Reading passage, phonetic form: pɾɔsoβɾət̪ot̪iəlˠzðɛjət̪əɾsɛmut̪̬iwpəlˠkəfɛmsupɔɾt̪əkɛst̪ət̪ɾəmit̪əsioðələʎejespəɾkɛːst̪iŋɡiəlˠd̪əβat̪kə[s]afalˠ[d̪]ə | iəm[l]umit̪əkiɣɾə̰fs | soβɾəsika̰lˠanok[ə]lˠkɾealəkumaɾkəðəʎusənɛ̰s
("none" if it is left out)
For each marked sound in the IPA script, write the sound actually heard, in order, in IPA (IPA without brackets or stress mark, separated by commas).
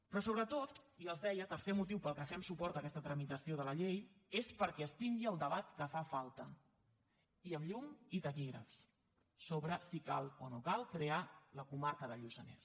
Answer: f, t̪, ʎ, a